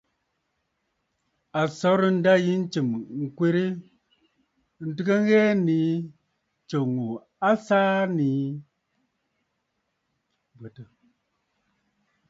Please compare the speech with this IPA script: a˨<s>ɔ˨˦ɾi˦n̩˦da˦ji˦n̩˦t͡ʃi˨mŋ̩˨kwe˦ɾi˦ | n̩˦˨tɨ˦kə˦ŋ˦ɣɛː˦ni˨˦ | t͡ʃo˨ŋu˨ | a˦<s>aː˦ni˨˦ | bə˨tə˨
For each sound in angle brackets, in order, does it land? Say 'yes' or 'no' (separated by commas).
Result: yes, yes